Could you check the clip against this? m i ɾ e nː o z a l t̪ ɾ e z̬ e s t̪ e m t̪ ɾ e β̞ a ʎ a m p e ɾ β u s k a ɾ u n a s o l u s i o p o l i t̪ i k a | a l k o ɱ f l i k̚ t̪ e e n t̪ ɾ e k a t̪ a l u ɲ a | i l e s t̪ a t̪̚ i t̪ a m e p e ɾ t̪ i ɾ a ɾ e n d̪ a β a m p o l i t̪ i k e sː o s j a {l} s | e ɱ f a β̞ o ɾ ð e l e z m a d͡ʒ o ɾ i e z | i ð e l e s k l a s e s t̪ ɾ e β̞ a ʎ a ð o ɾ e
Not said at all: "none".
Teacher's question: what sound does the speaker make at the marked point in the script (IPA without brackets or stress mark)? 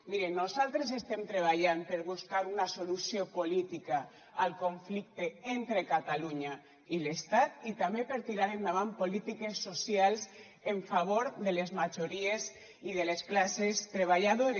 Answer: l